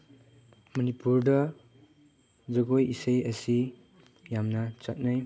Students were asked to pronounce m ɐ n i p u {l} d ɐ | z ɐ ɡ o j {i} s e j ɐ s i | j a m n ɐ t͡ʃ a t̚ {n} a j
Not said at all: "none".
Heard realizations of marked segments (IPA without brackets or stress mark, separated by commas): ɾ, i, n